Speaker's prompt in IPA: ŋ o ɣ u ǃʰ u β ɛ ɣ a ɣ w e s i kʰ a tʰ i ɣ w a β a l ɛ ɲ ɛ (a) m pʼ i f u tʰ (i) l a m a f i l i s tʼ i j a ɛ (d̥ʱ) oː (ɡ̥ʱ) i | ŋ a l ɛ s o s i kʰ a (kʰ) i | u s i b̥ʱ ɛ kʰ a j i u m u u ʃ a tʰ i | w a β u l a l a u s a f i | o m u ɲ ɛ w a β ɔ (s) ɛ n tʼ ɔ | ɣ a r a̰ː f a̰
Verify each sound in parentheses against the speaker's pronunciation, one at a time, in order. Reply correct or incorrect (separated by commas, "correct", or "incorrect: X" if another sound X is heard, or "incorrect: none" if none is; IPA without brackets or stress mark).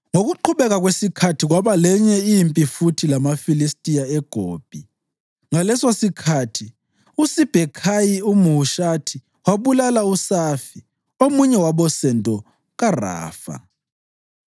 incorrect: i, correct, incorrect: ɡ̥ʱ, incorrect: b̥ʱ, incorrect: tʰ, correct